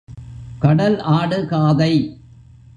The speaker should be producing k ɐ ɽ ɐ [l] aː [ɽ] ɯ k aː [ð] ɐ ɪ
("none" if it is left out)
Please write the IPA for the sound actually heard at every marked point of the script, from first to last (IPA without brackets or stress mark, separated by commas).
l, ɽ, ð